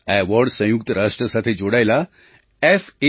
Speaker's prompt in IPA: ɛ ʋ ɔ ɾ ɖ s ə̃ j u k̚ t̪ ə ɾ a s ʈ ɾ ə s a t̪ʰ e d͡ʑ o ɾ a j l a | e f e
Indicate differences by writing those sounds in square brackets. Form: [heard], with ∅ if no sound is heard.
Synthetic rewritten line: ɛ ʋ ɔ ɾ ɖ s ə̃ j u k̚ t̪ ə ɾ a [ʂ] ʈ ɾ ə s a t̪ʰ e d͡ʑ o [ɽ] a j l a | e f e